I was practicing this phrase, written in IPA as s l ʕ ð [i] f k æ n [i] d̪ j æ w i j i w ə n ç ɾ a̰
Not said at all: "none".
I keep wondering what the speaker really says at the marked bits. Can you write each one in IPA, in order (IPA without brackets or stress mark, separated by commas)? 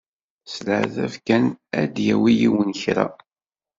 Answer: æ, æ